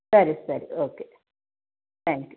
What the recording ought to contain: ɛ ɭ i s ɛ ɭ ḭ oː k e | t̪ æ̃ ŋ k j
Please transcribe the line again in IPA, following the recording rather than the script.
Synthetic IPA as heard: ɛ ɾ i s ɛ ɾ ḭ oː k e | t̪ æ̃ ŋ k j

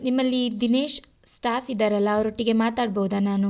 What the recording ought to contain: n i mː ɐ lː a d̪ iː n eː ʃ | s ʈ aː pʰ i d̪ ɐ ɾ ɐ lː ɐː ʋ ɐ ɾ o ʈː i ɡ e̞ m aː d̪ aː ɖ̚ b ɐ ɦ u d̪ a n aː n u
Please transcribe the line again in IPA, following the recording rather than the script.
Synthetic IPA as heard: n i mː ɐ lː i d̪ i n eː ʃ | s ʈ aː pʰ i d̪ ɐ ɾ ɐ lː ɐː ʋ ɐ ɾ o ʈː i ɡ e̞ m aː t̪ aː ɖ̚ b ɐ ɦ u d̪ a n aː n u

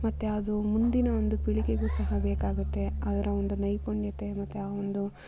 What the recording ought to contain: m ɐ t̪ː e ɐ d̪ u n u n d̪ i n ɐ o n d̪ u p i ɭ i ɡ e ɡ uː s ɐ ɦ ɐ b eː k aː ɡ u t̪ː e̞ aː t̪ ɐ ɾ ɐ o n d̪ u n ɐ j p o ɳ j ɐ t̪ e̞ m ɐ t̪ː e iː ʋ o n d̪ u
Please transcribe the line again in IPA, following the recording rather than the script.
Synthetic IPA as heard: m ɐ t̪ː e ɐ d̪ u m u n d̪ i n ɐ o n d̪ u p i ɭ i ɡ e ɡ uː s ɐ ɦ ɐ b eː k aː ɡ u t̪ː e̞ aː d̪ ɐ ɾ ɐ o n d̪ u n ɐ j p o ɳ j ɐ t̪ e̞ m ɐ t̪ː e aː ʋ o n d̪ u

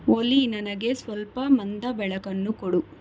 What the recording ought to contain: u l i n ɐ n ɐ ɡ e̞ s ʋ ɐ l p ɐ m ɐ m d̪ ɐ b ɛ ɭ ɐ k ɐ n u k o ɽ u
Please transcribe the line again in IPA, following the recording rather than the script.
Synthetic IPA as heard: o l i n ɐ n ɐ ɡ e̞ s ʋ ɐ l p ɐ m ɐ n d̪ ɐ b ɛ ɭ ɐ k ɐ nː u k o ɽ u

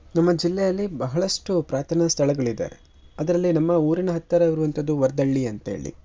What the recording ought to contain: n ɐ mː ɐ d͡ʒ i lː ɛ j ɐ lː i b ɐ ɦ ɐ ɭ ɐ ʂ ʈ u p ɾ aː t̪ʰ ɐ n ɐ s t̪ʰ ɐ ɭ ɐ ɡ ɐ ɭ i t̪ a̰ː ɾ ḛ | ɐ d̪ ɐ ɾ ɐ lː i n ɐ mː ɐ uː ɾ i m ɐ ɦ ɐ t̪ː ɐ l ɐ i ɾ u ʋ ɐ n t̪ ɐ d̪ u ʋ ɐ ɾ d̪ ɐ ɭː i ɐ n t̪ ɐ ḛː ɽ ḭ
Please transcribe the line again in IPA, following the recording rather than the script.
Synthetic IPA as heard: n ɐ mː ɐ d͡ʒ i lː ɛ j ɐ lː i b ɐ ɦ ɐ ɭ ɐ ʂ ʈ u p ɾ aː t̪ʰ ɐ n ɐ s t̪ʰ ɐ ɭ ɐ ɡ ɐ ɭ i d̪ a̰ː ɾ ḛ | ɐ d̪ ɐ ɾ ɐ lː i n ɐ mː ɐ uː ɾ i n ɐ ɦ ɐ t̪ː ɐ ɾ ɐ i ɾ u ʋ ɐ n t̪ ɐ d̪ u ʋ ɐ ɾ d̪ ɐ ɭː i ɐ n t̪ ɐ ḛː ɭ ḭ

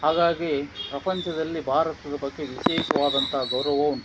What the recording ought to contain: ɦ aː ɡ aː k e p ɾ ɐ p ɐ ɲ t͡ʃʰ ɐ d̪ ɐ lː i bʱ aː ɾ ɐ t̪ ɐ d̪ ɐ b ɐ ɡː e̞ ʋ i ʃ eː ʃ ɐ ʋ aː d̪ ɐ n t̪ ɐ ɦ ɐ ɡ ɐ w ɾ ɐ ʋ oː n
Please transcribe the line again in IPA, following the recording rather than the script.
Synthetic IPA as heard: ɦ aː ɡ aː ɡ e p ɾ ɐ p ɐ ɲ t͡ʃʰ ɐ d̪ ɐ lː i bʱ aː ɾ ɐ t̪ ɐ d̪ ɐ b ɐ ɡː e̞ ʋ i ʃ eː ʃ ɐ ʋ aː d̪ ɐ n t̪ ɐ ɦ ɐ ɡ ɐ w ɾ ɐ ʋ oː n

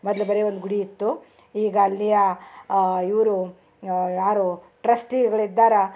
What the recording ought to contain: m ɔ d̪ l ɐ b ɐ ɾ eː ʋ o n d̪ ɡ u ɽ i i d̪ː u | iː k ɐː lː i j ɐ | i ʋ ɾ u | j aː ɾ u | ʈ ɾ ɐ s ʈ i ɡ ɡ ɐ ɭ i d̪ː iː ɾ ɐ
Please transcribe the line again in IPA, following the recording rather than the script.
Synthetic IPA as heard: m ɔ d̪ l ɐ b ɐ ɾ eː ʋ o n d̪ ɡ u ɽ i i t̪ː u | iː ɡ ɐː lː i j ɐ | i ʋ ɾ u | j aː ɾ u | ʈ ɾ ɐ s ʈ i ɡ ɡ ɐ ɭ i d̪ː aː ɾ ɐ

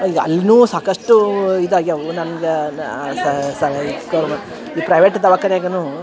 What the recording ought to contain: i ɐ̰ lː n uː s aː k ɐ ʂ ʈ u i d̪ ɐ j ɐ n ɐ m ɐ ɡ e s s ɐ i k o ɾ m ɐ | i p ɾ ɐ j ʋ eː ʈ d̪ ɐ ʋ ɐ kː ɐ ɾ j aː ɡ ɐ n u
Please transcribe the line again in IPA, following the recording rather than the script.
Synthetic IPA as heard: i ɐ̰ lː n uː s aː k ɐ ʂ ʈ u i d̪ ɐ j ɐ n ɐ n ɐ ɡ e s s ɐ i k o ɾ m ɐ | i p ɾ ɐ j ʋ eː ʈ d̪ ɐ ʋ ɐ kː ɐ ɾ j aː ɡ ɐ n u

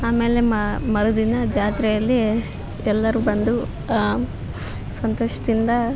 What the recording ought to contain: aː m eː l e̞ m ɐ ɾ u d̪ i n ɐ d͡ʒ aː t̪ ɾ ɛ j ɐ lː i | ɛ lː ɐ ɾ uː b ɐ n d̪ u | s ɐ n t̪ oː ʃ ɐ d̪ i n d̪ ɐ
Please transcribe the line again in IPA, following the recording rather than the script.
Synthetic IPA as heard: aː m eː l e̞ m ɐ ɾ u d̪ i n ɐ d͡ʒ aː t̪ ɾ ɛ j ɐ lː i | ɛ lː ɐ ɾ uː b ɐ n d̪ u | s ɐ n t̪ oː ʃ ɐ d̪ i n d̪ ɐ

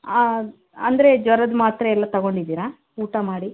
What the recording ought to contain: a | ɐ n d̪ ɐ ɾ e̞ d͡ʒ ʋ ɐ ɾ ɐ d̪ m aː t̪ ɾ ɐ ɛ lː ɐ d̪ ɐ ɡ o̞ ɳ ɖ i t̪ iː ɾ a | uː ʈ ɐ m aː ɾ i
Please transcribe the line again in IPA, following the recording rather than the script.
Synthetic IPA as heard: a | ɐ n d̪ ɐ ɾ e̞ d͡ʒ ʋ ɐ ɾ ɐ d̪ m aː t̪ ɾ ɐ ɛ lː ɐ t̪ ɐ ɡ o̞ ɳ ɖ i d̪ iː ɾ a | uː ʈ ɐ m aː ɽ i

